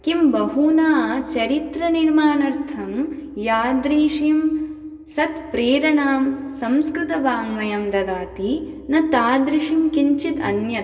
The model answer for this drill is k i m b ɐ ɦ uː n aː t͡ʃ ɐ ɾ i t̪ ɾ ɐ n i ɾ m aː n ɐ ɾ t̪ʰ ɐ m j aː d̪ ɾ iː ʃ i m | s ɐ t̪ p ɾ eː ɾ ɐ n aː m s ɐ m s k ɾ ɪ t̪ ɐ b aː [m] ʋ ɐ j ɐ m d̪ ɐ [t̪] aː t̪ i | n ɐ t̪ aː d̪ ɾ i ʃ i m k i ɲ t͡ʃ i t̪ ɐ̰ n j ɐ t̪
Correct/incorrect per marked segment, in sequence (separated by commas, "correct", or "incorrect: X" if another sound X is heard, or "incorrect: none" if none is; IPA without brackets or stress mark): incorrect: ŋ, incorrect: d̪